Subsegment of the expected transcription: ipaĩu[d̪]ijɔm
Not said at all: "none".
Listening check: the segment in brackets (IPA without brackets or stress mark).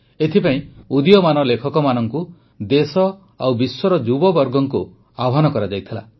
d̪